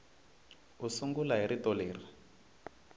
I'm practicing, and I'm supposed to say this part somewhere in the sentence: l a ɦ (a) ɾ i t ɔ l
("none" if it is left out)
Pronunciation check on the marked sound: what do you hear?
i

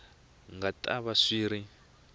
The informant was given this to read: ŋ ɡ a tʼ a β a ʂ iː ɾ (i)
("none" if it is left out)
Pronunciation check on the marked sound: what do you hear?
i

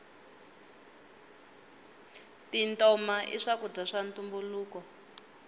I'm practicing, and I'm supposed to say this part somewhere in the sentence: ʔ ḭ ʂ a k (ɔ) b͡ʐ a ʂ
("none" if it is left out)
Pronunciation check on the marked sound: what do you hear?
u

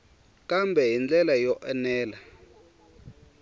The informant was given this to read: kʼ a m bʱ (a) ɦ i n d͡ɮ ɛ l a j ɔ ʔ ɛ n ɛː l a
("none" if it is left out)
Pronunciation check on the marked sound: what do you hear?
ɛ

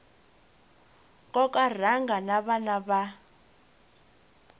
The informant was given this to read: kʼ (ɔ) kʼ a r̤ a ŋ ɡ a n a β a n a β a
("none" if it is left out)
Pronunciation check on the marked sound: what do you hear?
ɔ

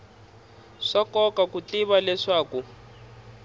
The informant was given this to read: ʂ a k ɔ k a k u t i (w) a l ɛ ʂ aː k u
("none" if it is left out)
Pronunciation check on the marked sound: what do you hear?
β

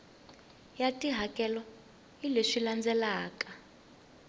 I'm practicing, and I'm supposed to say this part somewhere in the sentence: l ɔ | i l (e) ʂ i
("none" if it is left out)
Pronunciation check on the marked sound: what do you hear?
e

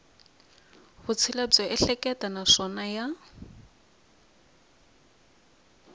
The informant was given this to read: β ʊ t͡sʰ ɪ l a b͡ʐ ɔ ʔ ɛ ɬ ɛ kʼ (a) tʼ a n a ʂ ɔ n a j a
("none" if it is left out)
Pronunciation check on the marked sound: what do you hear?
ɛ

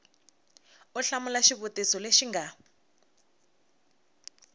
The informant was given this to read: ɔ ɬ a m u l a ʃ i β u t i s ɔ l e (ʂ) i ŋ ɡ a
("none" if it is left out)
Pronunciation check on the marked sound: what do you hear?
ʃ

